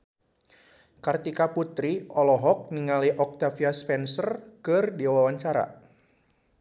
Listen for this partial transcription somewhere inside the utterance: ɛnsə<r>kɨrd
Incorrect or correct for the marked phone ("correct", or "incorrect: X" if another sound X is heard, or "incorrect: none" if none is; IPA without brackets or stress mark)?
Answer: correct